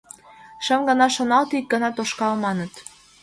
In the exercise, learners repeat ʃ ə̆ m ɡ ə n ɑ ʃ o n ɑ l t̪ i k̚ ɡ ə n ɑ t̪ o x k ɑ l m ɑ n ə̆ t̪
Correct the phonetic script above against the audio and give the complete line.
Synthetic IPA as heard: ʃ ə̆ m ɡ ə n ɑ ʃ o n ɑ l t̪ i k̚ ɡ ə n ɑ t̪ o ʃ k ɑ l m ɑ n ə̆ t̪

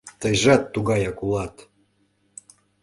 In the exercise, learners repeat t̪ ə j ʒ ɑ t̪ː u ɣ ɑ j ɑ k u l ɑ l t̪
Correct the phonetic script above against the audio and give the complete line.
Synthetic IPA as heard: t̪ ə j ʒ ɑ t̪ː u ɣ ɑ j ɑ k u l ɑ t̪

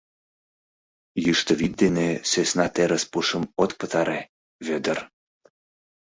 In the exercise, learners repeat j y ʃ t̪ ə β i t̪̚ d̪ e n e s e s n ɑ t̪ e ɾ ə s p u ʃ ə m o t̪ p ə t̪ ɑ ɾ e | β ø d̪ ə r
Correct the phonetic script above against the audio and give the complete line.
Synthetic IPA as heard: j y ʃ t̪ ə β i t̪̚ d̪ e n e s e s n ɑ t̪ e ɾ ə s p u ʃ ə m o t̪ p ə t̪ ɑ ɾ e | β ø d̪ ə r

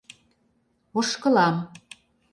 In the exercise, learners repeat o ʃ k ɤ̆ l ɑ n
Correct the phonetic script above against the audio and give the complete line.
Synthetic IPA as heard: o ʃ k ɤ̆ l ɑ m

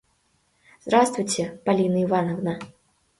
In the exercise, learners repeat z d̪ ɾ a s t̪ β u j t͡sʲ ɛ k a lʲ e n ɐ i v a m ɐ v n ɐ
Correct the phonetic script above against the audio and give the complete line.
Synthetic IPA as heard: z d̪ ɾ a s t̪ v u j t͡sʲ ɛ p a lʲ i n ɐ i v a n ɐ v n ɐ

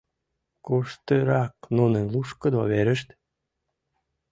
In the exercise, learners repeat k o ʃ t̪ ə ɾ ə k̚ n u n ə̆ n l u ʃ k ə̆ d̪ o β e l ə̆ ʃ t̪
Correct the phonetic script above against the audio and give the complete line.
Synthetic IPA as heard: k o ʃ t̪ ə ɾ ɑ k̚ n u n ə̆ n l u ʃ k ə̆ d̪ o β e ɾ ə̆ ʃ t̪

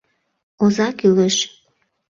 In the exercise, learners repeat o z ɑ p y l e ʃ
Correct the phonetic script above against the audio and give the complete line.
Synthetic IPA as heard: o z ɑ k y l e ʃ

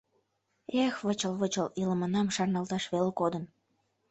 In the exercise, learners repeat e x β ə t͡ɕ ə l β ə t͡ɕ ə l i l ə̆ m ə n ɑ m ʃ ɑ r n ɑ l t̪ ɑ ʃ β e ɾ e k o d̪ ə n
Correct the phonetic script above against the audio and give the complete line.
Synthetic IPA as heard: e x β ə t͡ɕ ə l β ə t͡ɕ ə l i l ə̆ m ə n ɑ m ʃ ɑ r n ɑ l t̪ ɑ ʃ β e l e k o d̪ ə n

